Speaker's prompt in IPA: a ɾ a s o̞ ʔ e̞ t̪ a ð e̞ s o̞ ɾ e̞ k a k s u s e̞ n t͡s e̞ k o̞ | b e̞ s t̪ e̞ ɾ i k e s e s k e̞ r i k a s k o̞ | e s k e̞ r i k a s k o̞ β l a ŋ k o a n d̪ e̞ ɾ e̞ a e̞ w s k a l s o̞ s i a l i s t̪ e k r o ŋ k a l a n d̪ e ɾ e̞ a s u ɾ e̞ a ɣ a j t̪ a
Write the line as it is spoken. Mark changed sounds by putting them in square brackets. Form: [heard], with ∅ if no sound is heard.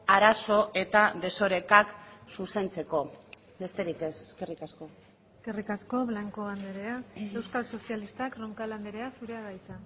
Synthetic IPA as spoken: a ɾ a s o̞ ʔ e̞ t̪ a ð e̞ s o̞ ɾ e̞ k a k s u s e̞ n t͡s e̞ k o̞ | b e̞ s t̪ e̞ ɾ i k e s e s k e̞ r i k a s k o̞ | e s k e̞ r i k a s k o̞ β l a ŋ k o a n d̪ e̞ ɾ e̞ a e̞ w s k a l s o̞ s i a l i s t̪ [a] k r o ŋ k a l a n d̪ e ɾ e̞ a s u ɾ e̞ a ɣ a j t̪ a